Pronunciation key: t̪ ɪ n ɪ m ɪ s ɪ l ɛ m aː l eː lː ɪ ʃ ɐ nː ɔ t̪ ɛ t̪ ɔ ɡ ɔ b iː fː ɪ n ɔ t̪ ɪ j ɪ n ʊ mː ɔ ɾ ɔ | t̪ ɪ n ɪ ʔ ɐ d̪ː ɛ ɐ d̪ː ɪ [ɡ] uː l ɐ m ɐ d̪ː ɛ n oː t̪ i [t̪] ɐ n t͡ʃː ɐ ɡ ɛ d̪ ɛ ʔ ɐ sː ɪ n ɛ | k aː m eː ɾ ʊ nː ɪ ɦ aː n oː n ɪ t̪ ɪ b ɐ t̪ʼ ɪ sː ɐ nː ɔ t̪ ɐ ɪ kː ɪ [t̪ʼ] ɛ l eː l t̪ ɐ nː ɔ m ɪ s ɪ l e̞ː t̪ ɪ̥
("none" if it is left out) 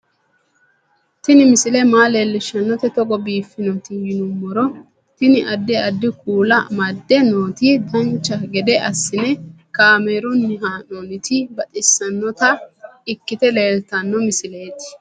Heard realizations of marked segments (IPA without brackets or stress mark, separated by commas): k, d̪, t̪